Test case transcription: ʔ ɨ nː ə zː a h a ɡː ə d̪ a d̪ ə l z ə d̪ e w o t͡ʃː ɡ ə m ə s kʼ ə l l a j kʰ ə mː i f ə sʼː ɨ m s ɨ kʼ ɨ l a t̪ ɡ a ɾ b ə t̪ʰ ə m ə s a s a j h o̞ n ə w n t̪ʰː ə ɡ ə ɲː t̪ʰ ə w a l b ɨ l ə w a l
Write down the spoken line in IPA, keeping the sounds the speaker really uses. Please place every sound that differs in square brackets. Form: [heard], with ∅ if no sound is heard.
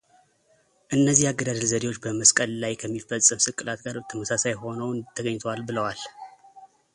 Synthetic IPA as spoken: ʔ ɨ nː ə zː [i] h a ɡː ə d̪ a d̪ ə l z ə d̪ e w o t͡ʃː [b] ə m ə s kʼ ə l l a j kʰ ə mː i f ə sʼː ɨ m s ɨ kʼ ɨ l a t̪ ɡ a ɾ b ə t̪ʰ ə m ə s a s a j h o̞ n ə w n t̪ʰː ə ɡ ə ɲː t̪ʰ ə w a l b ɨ l ə w a l